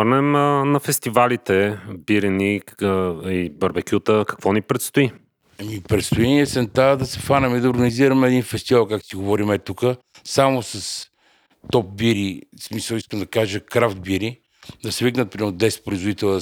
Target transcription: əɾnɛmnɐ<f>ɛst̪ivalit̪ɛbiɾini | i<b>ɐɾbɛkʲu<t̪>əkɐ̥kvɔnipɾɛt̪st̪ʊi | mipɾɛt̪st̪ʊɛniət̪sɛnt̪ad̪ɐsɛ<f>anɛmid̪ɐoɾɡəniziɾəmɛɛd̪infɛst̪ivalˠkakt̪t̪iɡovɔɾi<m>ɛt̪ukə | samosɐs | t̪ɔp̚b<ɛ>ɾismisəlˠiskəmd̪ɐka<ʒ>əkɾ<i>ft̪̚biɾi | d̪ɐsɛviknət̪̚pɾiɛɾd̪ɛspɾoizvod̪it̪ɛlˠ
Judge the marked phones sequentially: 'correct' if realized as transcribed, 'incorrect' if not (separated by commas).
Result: correct, correct, correct, correct, correct, incorrect, correct, incorrect